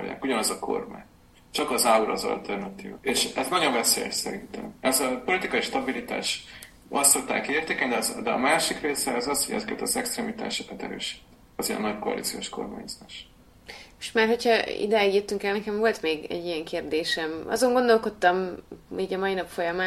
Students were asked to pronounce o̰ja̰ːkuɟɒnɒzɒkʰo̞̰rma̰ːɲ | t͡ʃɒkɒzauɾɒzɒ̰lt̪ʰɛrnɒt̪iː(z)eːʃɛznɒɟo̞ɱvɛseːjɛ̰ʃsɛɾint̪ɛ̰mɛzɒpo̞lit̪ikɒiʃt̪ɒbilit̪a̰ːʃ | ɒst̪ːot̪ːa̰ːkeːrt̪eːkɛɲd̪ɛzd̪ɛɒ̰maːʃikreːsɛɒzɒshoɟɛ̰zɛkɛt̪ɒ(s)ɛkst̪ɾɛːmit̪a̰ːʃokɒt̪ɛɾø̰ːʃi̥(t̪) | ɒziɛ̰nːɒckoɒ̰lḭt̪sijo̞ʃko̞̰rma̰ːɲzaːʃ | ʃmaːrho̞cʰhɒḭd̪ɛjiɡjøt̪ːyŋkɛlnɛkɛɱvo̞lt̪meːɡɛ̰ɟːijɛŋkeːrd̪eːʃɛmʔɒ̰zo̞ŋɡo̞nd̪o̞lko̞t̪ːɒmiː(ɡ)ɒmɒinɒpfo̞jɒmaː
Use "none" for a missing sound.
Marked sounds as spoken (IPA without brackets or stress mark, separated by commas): v, z, t̪, ɟ